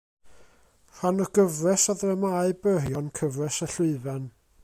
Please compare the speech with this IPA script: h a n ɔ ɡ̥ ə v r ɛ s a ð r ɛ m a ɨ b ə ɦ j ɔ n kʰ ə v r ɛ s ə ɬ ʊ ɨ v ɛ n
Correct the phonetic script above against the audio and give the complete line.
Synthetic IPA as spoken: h a n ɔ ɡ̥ ə v r ɛ s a ð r ɛ m a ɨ b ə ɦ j ɔ n kʰ ə v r ɛ s ə ɬ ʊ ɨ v ɛ n